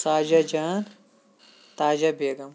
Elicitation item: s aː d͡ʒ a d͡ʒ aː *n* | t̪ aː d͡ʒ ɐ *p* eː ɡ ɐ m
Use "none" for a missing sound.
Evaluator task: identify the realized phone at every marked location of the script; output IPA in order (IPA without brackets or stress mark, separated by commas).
n, b